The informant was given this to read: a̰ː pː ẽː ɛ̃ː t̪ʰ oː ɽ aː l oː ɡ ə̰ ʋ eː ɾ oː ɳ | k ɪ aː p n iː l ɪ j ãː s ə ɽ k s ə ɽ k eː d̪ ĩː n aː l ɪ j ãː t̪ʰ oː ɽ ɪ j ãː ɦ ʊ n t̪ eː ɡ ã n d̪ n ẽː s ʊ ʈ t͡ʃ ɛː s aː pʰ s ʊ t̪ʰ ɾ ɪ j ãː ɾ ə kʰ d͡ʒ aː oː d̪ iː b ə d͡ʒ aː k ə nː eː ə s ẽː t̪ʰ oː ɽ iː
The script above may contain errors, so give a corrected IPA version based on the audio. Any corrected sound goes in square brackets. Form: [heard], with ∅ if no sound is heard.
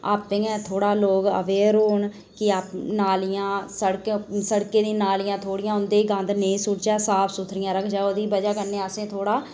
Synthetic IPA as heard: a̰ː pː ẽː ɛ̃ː t̪ʰ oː ɽ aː l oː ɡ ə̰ ʋ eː ɾ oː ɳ | k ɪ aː p n [aː] l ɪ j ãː s ə ɽ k s ə ɽ k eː d̪ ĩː n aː l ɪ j ãː t̪ʰ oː ɽ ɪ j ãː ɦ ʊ n [d̪] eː ɡ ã n d̪ n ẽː s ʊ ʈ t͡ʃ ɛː s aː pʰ s ʊ t̪ʰ ɾ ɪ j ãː ɾ ə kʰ d͡ʒ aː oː d̪ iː b ə d͡ʒ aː k ə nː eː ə s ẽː t̪ʰ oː ɽ [aː]